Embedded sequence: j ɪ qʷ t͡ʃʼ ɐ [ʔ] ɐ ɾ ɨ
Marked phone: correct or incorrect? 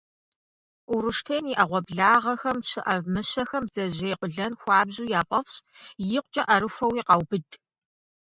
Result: correct